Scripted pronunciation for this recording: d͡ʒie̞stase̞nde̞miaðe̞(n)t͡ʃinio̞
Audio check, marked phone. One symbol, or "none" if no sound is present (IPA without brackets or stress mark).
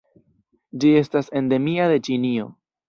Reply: none